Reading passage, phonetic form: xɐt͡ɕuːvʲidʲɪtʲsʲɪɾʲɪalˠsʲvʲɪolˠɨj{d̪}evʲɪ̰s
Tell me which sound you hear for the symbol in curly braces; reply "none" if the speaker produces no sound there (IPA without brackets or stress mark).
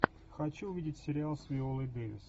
d̪